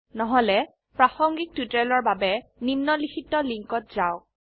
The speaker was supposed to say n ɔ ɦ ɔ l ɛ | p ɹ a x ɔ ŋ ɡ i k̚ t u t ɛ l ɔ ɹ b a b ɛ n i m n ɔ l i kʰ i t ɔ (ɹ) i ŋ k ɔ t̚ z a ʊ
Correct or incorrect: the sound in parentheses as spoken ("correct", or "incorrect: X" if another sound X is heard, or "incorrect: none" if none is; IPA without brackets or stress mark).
incorrect: l